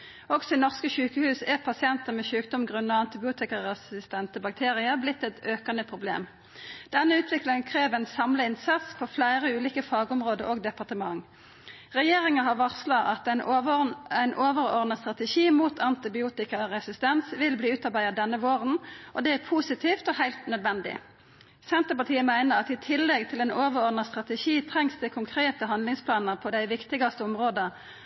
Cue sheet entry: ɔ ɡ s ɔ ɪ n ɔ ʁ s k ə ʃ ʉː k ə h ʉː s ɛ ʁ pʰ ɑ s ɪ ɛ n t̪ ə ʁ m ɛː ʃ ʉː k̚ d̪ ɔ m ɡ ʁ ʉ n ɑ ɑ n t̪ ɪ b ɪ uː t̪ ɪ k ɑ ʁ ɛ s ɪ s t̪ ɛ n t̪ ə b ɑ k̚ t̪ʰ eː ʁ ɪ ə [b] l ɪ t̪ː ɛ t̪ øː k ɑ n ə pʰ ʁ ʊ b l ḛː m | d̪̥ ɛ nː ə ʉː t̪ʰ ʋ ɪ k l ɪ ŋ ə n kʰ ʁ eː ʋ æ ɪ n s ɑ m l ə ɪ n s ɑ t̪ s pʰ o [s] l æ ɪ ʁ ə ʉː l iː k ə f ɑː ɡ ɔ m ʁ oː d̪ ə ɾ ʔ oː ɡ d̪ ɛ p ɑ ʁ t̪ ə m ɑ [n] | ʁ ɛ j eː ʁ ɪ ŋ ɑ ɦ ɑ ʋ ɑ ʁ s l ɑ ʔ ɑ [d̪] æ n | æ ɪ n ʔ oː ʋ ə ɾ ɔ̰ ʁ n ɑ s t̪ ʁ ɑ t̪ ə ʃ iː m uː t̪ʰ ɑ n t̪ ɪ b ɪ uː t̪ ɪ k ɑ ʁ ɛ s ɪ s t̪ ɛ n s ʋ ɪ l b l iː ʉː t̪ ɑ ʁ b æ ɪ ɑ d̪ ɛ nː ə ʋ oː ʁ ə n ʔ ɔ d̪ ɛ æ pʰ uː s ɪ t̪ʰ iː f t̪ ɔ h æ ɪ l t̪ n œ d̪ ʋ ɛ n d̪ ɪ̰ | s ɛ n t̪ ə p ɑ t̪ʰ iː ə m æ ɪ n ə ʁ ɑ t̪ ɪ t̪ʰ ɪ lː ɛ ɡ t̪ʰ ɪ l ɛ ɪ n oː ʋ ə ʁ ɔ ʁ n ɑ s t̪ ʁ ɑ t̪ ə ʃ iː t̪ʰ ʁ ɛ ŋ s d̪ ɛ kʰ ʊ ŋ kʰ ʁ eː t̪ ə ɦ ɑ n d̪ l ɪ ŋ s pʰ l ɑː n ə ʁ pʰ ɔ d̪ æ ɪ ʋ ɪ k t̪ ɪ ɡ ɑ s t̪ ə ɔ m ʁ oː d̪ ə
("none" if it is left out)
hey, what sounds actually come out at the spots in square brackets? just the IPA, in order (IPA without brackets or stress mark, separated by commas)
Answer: b, f, ŋ, t̪